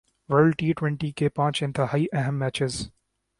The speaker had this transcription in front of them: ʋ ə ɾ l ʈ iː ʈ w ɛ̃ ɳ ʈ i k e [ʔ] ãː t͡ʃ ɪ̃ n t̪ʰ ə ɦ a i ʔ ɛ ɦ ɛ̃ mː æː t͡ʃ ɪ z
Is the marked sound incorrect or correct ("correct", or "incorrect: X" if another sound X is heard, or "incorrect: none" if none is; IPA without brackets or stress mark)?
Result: incorrect: p